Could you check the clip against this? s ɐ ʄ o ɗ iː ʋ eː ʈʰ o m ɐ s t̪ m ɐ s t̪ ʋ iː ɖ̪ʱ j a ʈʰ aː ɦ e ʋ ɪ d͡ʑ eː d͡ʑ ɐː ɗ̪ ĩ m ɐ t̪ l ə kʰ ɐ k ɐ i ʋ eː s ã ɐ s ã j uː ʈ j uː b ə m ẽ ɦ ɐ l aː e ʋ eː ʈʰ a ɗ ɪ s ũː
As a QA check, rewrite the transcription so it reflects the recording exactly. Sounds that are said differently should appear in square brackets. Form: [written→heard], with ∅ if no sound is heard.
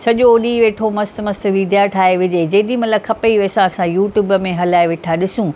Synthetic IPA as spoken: s ɐ ʄ o ɗ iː ʋ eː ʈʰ o m ɐ s t̪ m ɐ s t̪ ʋ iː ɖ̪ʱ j a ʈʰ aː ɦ e ʋ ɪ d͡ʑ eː d͡ʑ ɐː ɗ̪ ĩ m ɐ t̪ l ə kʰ ɐ [k→p] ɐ i ʋ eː s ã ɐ s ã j uː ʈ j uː b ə m ẽ ɦ ɐ l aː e ʋ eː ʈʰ a ɗ ɪ s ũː